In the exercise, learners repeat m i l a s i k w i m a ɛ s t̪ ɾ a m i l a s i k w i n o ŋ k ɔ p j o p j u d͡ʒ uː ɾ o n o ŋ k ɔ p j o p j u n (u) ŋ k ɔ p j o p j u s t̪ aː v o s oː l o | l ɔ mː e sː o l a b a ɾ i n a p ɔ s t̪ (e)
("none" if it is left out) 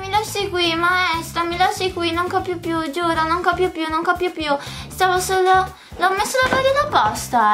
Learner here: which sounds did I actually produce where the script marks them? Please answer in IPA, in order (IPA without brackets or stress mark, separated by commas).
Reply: o, a